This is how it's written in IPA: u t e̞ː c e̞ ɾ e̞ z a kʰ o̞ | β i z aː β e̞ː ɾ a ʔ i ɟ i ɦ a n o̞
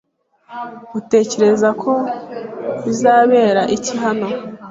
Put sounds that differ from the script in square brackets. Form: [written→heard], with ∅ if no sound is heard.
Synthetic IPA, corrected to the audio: u t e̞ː c e̞ ɾ e̞ z a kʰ o̞ | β i z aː β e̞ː ɾ a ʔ i [ɟ→c] i ɦ a n o̞